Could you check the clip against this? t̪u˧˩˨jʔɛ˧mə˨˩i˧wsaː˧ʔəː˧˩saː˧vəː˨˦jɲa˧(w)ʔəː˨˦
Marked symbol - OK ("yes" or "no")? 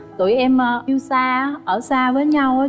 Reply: yes